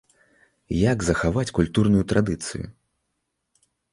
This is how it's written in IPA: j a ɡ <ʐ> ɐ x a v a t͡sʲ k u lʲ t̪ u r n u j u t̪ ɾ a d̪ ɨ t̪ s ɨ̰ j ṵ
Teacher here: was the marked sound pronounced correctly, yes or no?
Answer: no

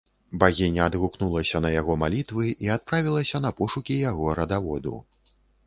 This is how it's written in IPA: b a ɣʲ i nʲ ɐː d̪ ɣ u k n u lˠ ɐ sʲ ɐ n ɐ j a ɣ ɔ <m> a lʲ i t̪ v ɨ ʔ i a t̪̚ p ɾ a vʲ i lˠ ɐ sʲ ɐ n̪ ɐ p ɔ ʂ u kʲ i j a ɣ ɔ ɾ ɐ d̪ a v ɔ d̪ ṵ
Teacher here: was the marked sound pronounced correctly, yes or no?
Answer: yes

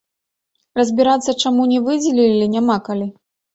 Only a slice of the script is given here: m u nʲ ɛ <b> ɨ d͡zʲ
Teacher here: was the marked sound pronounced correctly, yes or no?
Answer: no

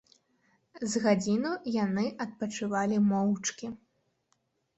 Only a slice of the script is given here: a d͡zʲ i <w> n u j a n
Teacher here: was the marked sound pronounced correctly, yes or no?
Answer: no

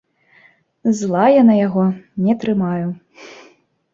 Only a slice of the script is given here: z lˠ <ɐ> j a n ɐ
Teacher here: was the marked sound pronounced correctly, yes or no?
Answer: no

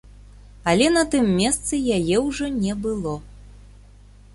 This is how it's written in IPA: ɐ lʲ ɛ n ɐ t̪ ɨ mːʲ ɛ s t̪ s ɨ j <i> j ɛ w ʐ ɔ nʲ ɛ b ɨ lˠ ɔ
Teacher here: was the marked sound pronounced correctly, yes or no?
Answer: no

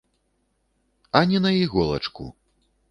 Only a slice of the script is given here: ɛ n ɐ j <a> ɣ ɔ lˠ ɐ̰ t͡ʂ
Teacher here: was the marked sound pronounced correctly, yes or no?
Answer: no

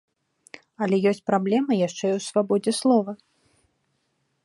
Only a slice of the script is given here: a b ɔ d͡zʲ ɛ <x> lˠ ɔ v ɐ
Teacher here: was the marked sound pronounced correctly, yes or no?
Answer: no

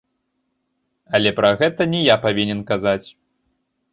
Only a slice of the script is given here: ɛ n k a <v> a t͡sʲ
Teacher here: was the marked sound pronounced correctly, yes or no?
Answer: no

